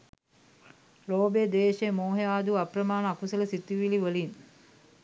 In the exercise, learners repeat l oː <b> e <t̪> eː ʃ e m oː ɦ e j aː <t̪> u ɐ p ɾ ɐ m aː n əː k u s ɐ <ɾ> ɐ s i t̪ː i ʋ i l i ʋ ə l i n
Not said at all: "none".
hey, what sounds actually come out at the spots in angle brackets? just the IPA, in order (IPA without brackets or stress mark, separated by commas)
b, d̪, d̪, l